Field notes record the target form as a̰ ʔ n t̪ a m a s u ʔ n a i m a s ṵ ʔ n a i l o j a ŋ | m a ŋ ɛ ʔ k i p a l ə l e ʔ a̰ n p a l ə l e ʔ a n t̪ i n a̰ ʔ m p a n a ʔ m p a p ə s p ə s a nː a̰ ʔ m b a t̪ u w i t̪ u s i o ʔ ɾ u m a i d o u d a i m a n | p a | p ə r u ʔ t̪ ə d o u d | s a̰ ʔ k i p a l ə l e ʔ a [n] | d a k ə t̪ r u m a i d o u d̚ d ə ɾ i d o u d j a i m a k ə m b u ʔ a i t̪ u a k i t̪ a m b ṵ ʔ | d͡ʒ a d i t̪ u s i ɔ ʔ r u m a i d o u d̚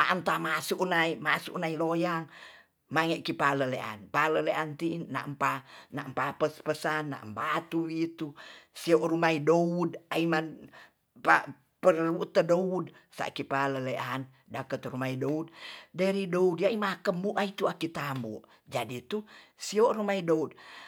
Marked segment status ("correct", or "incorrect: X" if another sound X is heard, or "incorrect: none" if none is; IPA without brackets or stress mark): correct